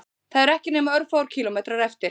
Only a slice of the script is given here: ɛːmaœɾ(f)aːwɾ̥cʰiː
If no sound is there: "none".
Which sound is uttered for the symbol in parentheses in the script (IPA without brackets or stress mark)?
f